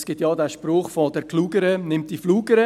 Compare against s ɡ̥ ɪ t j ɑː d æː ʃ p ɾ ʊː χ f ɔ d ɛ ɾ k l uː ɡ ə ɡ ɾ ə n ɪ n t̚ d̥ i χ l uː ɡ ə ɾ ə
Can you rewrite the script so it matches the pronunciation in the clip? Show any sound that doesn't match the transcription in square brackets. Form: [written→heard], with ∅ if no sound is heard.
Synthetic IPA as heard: s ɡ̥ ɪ t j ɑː d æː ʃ p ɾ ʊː χ f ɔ d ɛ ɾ k l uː ɡ ə [ɡ→∅] ɾ ə n ɪ [n→m] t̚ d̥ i [χ→f] l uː ɡ ə ɾ ə

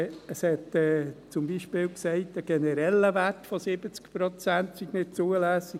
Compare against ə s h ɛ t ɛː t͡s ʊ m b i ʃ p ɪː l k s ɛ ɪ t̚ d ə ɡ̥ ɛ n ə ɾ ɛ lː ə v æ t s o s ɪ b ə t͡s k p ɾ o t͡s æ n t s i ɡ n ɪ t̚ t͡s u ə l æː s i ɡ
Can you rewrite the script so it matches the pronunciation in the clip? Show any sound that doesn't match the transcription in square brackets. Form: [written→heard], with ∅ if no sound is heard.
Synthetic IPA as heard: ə s h ɛ t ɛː t͡s ʊ m b i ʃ p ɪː l k s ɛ ɪ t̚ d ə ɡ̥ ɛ n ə ɾ ɛ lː ə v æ t [s→f] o s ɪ b ə t͡s k p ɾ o t͡s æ n t s i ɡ n ɪ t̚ t͡s u ə l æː s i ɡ

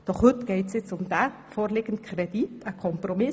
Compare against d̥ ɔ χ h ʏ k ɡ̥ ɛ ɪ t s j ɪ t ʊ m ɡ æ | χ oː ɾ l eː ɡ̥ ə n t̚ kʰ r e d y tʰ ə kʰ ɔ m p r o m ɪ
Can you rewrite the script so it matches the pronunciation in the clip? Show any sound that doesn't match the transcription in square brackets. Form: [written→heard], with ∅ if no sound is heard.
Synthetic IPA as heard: d̥ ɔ χ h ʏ [k→t] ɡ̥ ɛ ɪ t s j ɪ [t→t͡s] ʊ m [ɡ→d] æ | [χ→f] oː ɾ l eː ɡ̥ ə n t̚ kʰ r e d [y→i] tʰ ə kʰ ɔ m p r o m ɪ

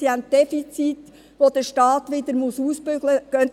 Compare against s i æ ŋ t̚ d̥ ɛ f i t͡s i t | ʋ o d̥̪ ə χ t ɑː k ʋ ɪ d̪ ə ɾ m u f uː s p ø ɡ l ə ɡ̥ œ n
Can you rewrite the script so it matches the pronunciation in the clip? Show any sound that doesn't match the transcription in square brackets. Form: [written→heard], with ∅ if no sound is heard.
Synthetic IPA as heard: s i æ [ŋ→n] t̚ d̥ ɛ f i t͡s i t | ʋ o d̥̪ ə [χ→ʃ] t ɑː [k→t] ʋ ɪ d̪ ə ɾ m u [f→s] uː s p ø ɡ l ə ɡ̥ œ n

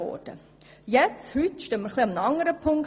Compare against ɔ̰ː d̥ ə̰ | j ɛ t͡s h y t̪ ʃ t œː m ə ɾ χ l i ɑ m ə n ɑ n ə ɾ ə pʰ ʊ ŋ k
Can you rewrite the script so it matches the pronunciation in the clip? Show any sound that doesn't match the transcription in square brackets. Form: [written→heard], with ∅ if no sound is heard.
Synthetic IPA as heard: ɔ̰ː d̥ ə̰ | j ɛ t͡s h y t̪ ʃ t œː m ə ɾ χ l i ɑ m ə n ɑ [n→ŋ] ə ɾ ə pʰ ʊ ŋ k

